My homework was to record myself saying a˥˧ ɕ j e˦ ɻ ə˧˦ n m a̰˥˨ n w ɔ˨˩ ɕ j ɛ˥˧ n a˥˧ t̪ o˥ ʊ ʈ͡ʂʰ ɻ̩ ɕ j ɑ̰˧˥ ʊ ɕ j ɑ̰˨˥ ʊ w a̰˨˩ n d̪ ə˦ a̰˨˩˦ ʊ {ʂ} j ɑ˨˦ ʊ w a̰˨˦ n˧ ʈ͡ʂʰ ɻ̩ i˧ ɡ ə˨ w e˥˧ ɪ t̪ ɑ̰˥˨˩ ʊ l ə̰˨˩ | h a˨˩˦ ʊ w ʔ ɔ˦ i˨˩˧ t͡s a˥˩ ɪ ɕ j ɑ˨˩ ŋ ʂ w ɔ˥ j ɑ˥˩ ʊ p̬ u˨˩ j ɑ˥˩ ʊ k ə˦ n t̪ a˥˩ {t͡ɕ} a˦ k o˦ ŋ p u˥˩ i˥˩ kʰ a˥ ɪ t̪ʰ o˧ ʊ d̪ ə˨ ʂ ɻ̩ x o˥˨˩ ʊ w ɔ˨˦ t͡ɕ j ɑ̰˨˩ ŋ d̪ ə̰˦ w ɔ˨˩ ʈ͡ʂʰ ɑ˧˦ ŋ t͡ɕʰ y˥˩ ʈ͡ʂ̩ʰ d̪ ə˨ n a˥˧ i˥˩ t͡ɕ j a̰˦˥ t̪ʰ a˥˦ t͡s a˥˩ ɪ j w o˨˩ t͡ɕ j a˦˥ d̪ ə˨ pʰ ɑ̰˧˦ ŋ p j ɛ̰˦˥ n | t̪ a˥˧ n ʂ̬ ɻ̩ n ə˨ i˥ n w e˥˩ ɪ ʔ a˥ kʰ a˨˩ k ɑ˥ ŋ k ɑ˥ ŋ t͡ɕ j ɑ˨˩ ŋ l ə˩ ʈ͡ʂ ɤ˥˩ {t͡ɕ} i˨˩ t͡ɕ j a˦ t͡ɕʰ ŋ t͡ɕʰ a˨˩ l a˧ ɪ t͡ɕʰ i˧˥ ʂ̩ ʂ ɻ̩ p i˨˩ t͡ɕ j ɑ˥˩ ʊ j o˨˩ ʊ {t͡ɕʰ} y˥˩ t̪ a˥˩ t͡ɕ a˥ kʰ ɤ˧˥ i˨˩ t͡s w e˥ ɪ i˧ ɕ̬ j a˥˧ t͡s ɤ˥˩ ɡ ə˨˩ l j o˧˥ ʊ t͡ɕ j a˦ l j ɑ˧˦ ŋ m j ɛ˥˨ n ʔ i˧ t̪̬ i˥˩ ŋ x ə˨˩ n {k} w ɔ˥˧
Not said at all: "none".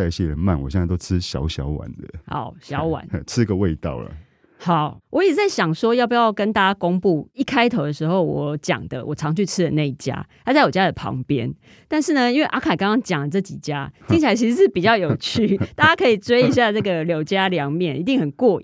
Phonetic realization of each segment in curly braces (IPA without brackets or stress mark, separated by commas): ɕ, t͡ɕ, t͡ɕ, t͡ɕʰ, k